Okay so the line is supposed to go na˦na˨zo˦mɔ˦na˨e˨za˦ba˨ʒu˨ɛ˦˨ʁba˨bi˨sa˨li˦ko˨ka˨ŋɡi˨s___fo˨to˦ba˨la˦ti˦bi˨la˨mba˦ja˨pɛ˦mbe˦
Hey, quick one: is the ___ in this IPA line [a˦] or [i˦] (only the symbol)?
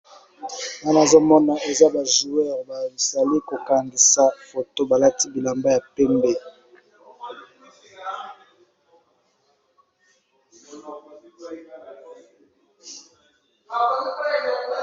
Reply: a˦